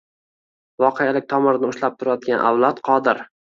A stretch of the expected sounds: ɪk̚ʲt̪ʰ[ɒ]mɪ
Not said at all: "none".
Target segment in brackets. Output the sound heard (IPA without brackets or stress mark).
ɒ